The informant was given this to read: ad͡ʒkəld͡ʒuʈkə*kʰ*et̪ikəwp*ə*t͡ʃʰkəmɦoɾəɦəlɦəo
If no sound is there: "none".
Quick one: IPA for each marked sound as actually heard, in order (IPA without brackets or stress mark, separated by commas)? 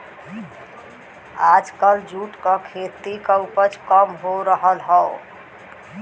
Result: kʰ, ə